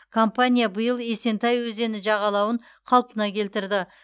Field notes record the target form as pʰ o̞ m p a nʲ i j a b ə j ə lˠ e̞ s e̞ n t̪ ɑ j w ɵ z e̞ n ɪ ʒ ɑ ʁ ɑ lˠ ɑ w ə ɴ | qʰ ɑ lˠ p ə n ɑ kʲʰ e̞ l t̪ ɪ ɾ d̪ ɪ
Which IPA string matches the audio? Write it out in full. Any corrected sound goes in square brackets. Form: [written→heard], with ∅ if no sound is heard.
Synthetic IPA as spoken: [pʰ→kʰ] o̞ m p a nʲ i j a b ə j ə lˠ e̞ s e̞ n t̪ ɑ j w ɵ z e̞ n ɪ ʒ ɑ ʁ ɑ lˠ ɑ w ə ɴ | qʰ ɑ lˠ p ə n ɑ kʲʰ e̞ l t̪ ɪ ɾ d̪ ɪ